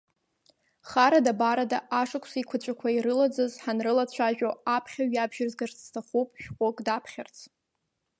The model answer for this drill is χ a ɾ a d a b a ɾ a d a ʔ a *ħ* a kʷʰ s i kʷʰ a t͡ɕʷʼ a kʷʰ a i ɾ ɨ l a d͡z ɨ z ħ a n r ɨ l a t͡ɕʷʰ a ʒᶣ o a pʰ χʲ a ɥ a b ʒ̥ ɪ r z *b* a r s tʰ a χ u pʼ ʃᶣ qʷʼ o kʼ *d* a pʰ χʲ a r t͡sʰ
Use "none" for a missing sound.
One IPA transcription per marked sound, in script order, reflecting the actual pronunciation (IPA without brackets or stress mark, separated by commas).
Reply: ʂ, ɡ, d